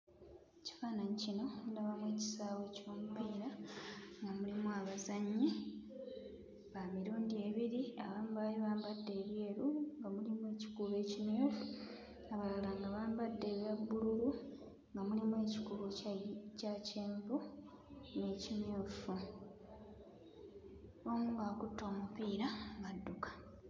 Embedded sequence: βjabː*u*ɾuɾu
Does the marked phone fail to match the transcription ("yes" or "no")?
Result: no